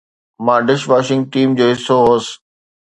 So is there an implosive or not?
no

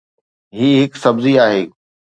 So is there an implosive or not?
no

